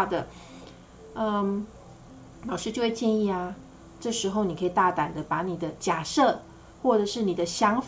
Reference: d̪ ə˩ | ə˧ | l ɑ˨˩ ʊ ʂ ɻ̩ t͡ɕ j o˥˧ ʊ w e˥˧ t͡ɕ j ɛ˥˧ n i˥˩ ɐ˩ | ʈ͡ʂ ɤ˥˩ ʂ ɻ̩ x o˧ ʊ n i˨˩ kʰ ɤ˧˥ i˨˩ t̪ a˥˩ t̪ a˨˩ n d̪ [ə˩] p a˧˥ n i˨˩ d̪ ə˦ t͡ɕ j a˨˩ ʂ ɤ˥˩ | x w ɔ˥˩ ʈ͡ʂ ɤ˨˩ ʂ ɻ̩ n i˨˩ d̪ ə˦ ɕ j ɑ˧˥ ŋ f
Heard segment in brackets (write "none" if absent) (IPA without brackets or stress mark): ə˦